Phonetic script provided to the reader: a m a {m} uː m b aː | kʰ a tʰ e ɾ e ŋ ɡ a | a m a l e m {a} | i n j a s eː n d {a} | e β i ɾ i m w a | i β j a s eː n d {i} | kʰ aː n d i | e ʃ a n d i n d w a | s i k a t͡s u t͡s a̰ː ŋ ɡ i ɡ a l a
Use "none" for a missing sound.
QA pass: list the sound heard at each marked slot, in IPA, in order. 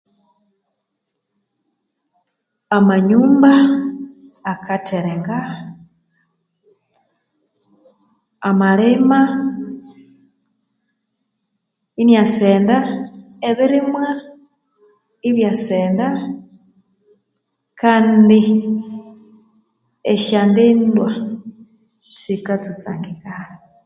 ɲ, a, a, a

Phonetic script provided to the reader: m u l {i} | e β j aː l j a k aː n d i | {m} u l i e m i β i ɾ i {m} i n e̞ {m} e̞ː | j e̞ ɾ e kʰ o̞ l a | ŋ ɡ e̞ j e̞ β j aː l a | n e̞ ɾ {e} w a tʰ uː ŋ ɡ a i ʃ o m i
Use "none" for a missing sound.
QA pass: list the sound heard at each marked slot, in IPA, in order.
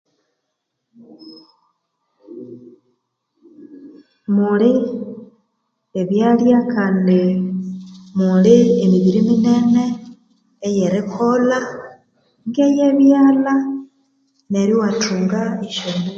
i, m, m, n, i

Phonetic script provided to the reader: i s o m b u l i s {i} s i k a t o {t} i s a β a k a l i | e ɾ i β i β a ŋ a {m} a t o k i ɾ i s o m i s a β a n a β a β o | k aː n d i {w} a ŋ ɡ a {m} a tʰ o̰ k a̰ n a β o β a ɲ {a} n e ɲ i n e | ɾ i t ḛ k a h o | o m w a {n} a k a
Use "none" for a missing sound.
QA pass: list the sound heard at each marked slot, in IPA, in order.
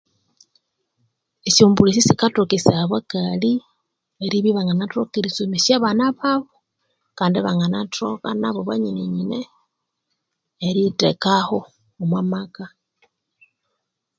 i, k, n, β, n, i, m

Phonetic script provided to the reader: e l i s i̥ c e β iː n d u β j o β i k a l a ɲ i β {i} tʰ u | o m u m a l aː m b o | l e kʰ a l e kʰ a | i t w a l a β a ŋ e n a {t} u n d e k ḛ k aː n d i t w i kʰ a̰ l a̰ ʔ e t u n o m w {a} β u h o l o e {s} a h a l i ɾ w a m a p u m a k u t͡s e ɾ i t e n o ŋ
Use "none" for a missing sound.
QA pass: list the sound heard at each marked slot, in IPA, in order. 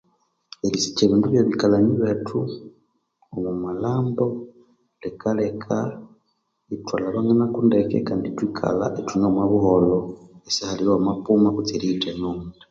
e, k, a, s

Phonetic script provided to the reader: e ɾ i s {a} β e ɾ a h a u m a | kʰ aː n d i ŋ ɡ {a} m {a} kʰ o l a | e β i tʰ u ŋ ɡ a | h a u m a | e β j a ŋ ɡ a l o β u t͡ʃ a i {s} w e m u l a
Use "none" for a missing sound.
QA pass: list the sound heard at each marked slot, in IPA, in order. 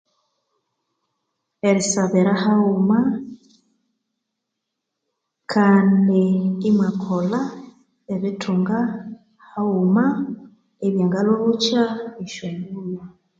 a, i, a, ʃ

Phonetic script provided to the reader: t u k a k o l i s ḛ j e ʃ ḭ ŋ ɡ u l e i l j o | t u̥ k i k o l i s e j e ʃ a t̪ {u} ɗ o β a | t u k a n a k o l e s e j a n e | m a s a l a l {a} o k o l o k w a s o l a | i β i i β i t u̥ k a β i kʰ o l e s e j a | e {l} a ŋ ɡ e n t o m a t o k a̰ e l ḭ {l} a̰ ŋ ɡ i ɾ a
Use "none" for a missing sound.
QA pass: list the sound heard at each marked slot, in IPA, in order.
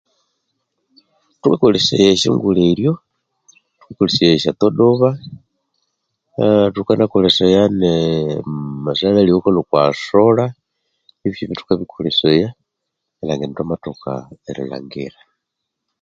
o, i, l, l

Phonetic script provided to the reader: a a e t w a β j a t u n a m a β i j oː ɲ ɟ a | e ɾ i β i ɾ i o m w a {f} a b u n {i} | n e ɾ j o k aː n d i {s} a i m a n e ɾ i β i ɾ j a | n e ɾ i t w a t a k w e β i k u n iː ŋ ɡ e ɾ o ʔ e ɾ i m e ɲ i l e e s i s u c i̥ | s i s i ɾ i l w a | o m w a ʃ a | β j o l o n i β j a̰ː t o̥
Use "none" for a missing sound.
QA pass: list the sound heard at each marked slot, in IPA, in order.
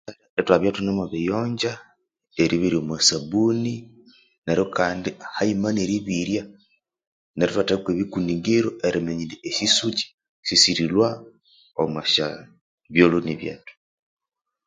s, i, h

